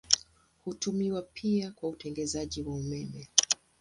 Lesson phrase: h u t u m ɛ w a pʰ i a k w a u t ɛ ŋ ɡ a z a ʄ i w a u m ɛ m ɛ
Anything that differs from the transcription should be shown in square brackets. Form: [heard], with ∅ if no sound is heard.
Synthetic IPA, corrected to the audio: h u t u m [i] w a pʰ i a k w a u t ɛ ŋ ɡ [ɛ] z a ʄ i w a u m ɛ m ɛ